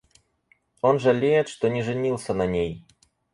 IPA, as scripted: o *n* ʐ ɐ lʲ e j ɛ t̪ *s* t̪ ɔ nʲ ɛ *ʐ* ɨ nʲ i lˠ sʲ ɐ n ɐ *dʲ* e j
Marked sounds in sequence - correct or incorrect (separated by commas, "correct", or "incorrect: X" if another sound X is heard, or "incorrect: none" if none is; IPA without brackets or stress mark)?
correct, incorrect: ʂ, correct, incorrect: nʲ